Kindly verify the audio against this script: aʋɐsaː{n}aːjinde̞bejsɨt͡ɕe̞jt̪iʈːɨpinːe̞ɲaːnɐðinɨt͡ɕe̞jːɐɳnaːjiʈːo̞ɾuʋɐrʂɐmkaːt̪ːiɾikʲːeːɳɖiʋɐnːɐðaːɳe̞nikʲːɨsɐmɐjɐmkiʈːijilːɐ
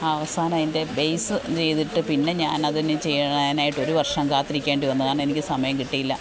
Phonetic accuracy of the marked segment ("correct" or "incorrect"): correct